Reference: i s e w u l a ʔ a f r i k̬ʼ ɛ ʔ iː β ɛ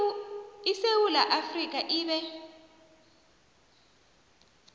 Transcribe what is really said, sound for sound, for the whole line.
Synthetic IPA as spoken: i s e w u l a ʔ a f r i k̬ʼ a ʔ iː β ɛ